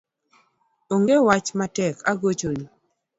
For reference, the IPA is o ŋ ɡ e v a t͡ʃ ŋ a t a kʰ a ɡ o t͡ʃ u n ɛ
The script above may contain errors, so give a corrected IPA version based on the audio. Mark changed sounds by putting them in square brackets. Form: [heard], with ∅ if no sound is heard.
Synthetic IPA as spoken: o ŋ ɡ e [w] a t͡ʃ [m] a t [ɛ] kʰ a ɡ o t͡ʃ [o] n [i]